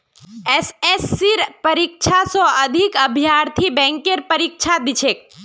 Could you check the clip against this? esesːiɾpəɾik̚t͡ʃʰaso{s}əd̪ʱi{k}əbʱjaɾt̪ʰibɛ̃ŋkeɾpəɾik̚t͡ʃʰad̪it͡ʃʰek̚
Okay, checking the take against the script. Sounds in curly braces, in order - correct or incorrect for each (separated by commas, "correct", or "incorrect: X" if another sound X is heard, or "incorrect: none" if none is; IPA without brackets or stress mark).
incorrect: none, correct